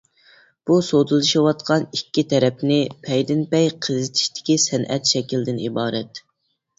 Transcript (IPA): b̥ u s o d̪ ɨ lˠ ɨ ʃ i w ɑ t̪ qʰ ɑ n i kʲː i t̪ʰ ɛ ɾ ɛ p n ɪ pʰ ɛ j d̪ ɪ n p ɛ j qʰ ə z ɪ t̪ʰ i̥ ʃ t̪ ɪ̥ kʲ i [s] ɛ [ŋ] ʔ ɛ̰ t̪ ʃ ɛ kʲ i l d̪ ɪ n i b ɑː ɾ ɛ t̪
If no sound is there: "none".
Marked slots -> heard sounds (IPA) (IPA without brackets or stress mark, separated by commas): s, n